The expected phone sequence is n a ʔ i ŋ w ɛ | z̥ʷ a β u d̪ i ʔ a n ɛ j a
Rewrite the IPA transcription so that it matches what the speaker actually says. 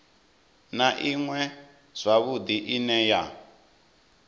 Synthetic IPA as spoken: n a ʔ i ŋ w ɛ | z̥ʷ a β u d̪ i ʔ i n ɛ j a